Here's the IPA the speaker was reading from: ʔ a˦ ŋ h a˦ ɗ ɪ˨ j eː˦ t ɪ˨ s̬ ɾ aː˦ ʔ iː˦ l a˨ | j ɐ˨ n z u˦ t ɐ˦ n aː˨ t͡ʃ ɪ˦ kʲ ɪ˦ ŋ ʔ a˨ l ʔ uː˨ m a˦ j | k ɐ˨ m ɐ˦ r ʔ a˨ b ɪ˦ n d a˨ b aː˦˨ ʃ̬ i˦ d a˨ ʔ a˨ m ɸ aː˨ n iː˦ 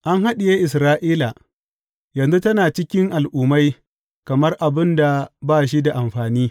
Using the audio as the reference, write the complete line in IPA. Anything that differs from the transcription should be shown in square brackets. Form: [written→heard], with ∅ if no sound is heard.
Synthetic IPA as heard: ʔ a˦ ŋ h a˦ ɗ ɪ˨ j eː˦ [t→ʔ] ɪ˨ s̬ ɾ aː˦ ʔ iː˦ l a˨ | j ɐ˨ n z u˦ t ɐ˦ n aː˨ t͡ʃ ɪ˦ kʲ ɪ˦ ŋ ʔ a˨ l ʔ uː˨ m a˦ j | k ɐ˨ m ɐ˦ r ʔ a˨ b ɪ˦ n d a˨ b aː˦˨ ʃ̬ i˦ d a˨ ʔ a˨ m ɸ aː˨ n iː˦